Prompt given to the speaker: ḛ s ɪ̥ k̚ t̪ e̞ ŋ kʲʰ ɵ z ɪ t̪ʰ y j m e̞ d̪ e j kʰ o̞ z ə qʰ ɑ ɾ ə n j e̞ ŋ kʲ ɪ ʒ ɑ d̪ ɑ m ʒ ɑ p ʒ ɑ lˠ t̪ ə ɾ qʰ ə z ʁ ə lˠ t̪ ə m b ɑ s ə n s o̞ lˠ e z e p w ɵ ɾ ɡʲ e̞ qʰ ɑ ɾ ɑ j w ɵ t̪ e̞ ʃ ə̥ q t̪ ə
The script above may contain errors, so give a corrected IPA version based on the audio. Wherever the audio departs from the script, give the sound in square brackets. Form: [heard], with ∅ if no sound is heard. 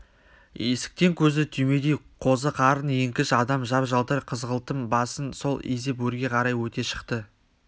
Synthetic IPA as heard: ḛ s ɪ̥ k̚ t̪ e̞ ŋ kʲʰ ɵ z ɪ t̪ʰ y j m e̞ d̪ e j [qʰ] o̞ z ə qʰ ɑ ɾ ə n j e̞ ŋ kʲ ɪ [ʃ] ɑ d̪ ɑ m ʒ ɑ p ʒ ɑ lˠ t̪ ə ɾ qʰ ə z ʁ ə lˠ t̪ ə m b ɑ s ə n s o̞ lˠ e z e p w ɵ ɾ ɡʲ e̞ qʰ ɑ ɾ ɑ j w ɵ t̪ e̞ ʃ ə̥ q t̪ ə